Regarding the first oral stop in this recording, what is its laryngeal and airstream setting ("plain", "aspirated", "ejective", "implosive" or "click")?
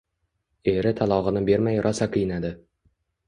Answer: aspirated